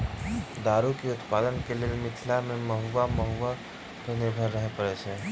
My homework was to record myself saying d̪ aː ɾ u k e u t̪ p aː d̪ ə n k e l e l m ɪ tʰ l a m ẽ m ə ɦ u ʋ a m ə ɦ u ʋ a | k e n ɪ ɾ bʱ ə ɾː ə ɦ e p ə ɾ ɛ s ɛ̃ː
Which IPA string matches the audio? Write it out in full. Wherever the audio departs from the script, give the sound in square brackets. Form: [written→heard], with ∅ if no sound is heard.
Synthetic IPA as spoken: d̪ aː ɾ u k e [u→ʊ] t̪ p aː d̪ ə n k e l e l m ɪ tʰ l a m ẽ m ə ɦ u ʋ a m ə ɦ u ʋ a | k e n ɪ ɾ bʱ ə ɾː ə ɦ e p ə ɾ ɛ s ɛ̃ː